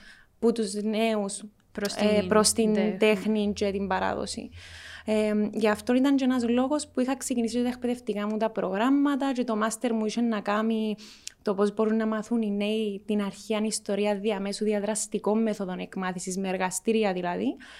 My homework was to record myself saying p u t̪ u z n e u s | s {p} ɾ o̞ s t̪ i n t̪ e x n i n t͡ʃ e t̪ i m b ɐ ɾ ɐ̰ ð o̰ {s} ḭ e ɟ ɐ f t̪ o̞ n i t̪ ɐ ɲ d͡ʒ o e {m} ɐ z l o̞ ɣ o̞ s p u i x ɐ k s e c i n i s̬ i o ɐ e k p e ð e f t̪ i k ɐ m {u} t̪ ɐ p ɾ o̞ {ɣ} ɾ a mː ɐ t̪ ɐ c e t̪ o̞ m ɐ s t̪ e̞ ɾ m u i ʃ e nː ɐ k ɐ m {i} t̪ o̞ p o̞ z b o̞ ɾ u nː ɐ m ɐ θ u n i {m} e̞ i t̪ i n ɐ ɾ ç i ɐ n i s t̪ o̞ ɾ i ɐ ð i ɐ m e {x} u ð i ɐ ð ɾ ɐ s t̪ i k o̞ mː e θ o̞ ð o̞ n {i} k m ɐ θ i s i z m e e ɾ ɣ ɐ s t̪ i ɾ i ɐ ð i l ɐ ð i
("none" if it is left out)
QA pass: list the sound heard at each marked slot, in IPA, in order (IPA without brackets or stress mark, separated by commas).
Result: p, s, n, u, ɣ, i, n, s, e